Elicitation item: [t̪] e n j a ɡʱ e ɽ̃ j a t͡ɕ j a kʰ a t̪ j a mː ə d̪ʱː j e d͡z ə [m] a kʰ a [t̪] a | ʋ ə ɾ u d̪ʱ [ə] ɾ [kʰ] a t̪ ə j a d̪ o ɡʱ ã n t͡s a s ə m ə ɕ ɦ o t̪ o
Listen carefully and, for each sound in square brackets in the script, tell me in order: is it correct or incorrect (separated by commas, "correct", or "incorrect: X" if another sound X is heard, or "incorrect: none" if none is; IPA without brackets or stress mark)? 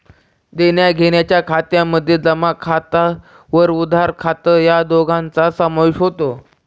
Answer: incorrect: d̪, correct, correct, incorrect: a, correct